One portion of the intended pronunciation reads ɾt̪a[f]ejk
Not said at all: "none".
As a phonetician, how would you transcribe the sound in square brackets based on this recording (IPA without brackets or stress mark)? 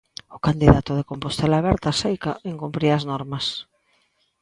s